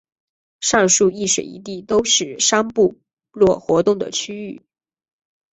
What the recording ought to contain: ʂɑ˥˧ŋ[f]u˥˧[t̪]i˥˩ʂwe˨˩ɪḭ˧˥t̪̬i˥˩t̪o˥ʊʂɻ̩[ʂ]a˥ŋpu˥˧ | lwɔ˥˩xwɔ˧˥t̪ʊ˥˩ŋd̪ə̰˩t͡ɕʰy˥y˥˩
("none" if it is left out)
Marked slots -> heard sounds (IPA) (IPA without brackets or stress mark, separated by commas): ʂ, none, ʂ